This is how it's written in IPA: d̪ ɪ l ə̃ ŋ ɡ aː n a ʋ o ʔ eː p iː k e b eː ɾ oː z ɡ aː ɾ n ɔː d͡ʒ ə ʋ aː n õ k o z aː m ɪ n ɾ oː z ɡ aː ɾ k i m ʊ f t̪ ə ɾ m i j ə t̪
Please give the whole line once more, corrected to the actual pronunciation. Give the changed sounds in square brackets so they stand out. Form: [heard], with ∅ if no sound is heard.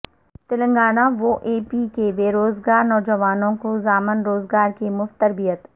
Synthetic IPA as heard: [t̪] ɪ l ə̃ ŋ ɡ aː n a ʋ o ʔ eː p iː k e b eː ɾ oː z ɡ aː ɾ n ɔː d͡ʒ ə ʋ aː n õ k o z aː m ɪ n ɾ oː z ɡ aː ɾ k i m ʊ f t̪ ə ɾ [b] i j ə t̪